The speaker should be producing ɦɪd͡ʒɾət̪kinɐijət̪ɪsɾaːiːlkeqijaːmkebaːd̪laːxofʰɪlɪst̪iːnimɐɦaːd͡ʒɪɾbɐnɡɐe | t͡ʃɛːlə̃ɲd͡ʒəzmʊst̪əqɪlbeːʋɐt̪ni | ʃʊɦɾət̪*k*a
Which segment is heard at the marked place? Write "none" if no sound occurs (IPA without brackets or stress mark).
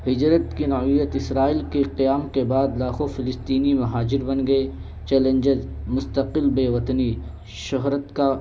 k